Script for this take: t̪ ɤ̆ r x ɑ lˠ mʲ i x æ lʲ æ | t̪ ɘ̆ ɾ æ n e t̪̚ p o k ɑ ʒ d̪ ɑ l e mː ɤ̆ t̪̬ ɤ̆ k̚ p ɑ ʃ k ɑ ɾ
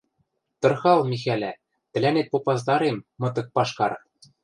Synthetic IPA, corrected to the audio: t̪ ɤ̆ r x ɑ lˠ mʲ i x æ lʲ æ | t̪ ɘ̆ l æ n e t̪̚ p o p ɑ z d̪ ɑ ɾ e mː ɤ̆ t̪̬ ɤ̆ k̚ p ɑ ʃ k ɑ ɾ